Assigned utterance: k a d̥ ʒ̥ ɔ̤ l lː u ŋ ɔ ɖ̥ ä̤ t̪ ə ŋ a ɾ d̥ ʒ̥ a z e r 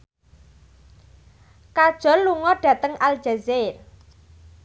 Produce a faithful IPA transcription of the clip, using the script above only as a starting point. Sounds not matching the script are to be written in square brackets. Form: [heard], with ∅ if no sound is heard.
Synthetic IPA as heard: k a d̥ ʒ̥ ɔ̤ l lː u ŋ ɔ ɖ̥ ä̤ t̪ ə ŋ a [l] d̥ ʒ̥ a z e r

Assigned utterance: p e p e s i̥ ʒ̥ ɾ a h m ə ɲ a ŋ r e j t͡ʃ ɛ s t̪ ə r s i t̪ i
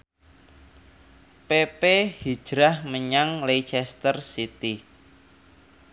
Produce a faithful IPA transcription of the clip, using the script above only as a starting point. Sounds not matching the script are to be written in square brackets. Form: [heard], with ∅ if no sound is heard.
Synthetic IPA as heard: p e p e [h] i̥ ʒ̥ ɾ a h m ə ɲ a ŋ [l] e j t͡ʃ ɛ s t̪ ə r s i t̪ i

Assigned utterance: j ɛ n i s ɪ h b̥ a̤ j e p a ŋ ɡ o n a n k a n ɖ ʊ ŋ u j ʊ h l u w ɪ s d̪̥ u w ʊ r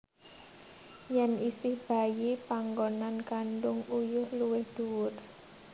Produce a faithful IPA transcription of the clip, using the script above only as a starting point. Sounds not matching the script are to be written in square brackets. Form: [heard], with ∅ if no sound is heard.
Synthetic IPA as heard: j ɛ n i s ɪ h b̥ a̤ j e p a ŋ ɡ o n a n k a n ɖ ʊ ŋ u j ʊ h l u w ɪ [h] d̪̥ u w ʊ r

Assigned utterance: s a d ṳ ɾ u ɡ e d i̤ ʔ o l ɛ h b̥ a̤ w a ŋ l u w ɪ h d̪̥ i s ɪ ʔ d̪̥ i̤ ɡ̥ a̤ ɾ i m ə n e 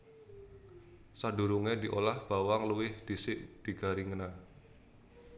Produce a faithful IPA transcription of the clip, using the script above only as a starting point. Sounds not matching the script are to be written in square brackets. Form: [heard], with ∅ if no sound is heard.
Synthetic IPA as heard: s a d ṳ ɾ u [ŋ] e d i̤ ʔ o l [a] h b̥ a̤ w a ŋ l u w ɪ h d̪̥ i s ɪ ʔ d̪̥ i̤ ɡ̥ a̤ ɾ i [ŋ] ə n [a]

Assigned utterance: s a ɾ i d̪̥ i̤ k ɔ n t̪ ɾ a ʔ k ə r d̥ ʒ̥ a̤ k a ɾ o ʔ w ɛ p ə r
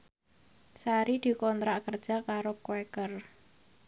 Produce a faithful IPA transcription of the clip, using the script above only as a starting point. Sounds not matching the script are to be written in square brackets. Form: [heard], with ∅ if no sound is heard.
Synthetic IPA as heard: s a ɾ i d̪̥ i̤ k ɔ n t̪ ɾ a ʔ k ə r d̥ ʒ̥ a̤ k a ɾ o [k] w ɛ [k] ə r

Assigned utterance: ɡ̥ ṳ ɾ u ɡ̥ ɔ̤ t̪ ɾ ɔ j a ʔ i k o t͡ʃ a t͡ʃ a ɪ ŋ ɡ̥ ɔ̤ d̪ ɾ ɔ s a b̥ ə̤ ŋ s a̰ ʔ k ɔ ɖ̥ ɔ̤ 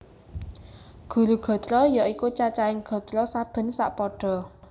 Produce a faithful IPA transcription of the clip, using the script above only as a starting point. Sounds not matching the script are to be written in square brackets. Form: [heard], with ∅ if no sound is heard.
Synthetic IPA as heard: ɡ̥ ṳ ɾ u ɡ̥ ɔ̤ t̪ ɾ ɔ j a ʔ i k [u] t͡ʃ a t͡ʃ a ɪ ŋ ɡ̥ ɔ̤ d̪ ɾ ɔ s a b̥ ə̤ [n] s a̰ ʔ [p] ɔ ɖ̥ ɔ̤

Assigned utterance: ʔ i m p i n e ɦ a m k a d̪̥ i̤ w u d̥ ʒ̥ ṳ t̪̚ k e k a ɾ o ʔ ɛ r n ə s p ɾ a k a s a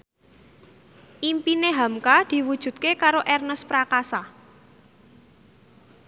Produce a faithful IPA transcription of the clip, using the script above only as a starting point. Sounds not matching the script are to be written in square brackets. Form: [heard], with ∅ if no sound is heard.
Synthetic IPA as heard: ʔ i m p i n e ɦ a m k a d̪̥ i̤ w u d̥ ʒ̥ ṳ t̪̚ k e k a ɾ o ʔ ɛ r n ə s p ɾ a k a s a

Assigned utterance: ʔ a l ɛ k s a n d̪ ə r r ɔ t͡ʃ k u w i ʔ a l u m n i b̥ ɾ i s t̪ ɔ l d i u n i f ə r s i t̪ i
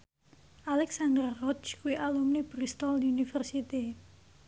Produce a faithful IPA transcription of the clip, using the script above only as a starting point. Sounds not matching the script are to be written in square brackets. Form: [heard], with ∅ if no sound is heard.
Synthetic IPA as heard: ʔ a l ɛ k s a n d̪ ə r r ɔ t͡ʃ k u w i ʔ a l u m n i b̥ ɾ i s t̪ ɔ l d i u n i f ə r s i t̪ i

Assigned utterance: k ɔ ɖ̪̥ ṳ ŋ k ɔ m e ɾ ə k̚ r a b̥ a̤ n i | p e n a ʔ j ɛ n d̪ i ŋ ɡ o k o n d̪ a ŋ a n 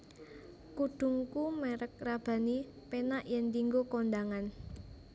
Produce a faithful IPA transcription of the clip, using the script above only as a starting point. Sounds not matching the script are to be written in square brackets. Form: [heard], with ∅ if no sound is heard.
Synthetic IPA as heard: k [u] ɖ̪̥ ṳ ŋ k [u] m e ɾ ə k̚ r a b̥ a̤ n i | p e n a ʔ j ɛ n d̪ i ŋ ɡ o k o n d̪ a ŋ a n

